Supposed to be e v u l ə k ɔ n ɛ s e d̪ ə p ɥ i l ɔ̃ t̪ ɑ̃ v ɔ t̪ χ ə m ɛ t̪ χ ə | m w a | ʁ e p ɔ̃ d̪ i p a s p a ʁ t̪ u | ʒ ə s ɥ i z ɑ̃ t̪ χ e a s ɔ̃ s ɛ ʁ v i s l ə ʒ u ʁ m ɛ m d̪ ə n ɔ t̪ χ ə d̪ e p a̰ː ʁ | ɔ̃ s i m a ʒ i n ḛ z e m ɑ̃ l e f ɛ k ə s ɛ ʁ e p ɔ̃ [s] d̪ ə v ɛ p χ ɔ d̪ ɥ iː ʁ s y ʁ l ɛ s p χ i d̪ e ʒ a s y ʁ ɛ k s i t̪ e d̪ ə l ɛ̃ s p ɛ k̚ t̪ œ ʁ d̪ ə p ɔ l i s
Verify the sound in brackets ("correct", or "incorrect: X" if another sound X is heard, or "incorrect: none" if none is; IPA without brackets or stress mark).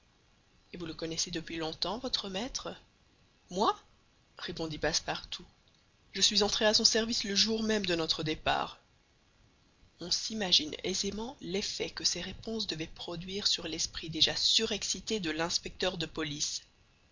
correct